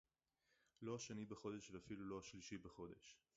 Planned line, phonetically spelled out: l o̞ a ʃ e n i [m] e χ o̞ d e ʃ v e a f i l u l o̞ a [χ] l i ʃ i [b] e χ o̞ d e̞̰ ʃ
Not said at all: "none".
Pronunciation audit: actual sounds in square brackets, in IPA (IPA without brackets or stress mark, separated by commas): b, ʃ, b